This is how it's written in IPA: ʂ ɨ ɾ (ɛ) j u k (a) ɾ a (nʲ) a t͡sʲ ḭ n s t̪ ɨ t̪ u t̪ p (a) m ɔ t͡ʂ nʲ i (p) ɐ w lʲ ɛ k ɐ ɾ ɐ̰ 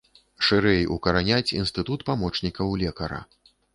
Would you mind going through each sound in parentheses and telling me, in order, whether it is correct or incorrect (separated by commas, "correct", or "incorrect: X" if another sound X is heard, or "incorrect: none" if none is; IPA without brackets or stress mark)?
correct, incorrect: ɐ, correct, correct, incorrect: k